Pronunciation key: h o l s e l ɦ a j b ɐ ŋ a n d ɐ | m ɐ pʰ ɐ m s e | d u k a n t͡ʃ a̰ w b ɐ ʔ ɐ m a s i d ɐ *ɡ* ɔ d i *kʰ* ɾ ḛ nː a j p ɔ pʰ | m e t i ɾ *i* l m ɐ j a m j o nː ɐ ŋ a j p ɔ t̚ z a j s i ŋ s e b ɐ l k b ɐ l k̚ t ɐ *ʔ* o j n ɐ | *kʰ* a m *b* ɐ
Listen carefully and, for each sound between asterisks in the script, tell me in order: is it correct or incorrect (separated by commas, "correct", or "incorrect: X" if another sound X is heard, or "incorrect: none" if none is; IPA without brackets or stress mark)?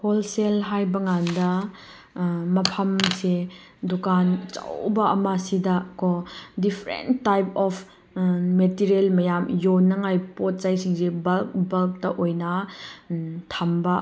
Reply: incorrect: k, incorrect: pʰ, incorrect: e, correct, incorrect: tʰ, correct